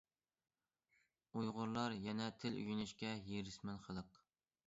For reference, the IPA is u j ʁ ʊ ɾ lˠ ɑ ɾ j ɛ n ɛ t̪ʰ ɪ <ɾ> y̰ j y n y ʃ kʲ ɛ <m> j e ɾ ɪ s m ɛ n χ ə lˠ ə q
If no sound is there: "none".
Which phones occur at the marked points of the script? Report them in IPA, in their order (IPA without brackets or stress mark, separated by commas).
l, none